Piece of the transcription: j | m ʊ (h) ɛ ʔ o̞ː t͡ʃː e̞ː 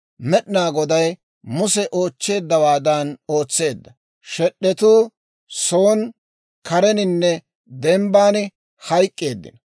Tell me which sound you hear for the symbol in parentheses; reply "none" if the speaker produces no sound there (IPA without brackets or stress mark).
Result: s